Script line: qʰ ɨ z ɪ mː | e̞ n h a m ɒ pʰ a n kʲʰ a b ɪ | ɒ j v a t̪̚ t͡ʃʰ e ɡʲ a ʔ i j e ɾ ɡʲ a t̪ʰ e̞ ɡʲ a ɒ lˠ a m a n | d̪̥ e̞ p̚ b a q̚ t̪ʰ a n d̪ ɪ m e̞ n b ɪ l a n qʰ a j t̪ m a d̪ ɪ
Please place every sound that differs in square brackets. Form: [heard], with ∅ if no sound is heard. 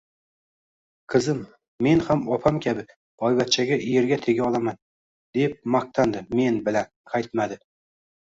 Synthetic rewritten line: qʰ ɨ z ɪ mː | e̞ n h a m ɒ pʰ a [m] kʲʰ a b ɪ | ɒ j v a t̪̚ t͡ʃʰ [a] ɡʲ a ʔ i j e ɾ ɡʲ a t̪ʰ e̞ ɡʲ a ɒ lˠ a m a n | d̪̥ e̞ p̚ [m] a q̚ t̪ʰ a n d̪ ɪ m e̞ n b ɪ l a n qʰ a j t̪ m a d̪ ɪ